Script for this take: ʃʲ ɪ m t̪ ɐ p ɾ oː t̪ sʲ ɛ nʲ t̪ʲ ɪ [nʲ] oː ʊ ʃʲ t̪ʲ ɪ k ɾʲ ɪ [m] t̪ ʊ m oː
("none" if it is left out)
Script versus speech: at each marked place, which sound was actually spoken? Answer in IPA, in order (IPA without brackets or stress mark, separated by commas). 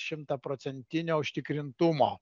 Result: nʲ, n